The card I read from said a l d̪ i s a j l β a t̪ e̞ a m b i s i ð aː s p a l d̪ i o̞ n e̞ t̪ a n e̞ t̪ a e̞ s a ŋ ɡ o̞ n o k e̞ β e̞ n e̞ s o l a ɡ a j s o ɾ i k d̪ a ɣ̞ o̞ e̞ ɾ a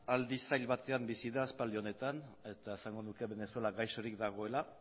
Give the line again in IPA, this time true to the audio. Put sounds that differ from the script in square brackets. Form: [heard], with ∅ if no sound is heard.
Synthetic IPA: a l d̪ i s a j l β a t̪ e̞ a m b i s i ð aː s p a l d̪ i o̞ n e̞ t̪ a n e̞ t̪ a e̞ s a ŋ ɡ o̞ n [u] k e̞ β e̞ n e̞ s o l a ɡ a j s o ɾ i k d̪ a ɣ̞ o̞ e̞ [l] a